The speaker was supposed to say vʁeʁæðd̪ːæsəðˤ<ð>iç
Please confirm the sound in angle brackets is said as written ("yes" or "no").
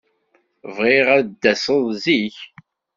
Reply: no